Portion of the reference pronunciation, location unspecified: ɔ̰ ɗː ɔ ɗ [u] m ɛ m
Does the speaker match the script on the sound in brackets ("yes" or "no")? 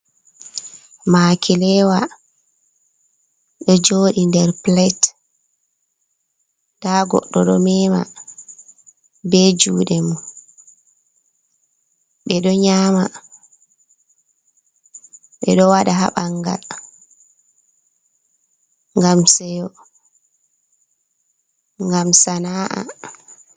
no